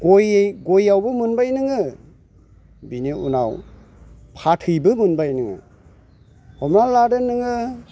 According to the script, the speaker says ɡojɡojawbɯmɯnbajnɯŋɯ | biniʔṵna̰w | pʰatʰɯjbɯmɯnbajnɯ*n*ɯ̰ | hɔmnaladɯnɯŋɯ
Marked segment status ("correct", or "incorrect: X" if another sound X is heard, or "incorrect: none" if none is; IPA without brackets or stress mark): incorrect: ŋ